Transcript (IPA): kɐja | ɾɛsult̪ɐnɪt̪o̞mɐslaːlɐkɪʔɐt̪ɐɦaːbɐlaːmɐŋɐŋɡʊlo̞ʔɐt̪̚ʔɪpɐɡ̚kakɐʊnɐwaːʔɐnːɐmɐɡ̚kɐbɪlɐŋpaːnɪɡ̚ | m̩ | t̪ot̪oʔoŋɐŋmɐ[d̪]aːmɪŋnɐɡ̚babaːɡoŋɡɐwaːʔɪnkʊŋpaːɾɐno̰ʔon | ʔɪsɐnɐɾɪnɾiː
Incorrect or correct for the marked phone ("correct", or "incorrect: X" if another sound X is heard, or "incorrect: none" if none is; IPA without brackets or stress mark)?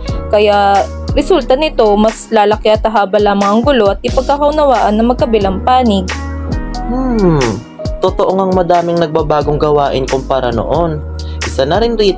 correct